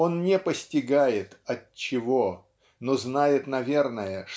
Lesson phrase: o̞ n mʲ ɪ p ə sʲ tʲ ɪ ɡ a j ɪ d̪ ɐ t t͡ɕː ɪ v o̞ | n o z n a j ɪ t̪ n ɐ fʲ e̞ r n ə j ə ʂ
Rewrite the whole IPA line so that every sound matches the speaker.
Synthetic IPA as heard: o̞ n nʲ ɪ p ə sʲ tʲ ɪ ɡ a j ɪ t̪ ɐ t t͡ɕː ɪ v o̞ | n o z n a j ɪ t̪ n ɐ vʲ e̞ r n ə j ə ʂ